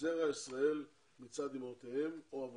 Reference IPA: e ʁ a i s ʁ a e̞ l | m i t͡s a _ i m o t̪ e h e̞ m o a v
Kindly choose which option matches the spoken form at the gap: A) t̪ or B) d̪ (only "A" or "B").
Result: B